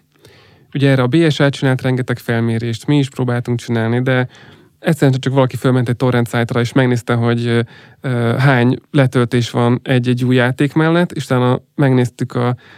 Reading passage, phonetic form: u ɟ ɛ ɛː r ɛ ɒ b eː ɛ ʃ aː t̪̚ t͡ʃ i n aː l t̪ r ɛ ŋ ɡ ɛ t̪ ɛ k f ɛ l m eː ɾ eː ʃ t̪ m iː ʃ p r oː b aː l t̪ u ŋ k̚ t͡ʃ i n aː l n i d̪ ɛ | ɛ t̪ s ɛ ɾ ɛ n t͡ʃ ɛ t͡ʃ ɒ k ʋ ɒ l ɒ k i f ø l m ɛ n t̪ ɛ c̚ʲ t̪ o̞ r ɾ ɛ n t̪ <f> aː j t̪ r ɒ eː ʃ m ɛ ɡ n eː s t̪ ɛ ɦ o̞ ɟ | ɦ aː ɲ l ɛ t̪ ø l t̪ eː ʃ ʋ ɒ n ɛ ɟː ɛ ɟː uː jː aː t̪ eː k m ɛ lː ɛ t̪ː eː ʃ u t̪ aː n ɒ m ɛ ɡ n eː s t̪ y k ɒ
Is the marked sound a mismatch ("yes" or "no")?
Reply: yes